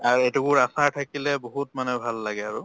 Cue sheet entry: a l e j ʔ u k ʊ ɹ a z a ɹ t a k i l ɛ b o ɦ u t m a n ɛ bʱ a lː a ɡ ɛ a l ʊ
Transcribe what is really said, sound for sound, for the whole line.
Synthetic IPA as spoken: a ɹ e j t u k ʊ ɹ a s a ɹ tʰ a k i l ɛ b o ɦ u t m a n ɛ bʱ a lː a ɡ ɛ a ɹ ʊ